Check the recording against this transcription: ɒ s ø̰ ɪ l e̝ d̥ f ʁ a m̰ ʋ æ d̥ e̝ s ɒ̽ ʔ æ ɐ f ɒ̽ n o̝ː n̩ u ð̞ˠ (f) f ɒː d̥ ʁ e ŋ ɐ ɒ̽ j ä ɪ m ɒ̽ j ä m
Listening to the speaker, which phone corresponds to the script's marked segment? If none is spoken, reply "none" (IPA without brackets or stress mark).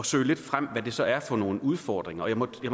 f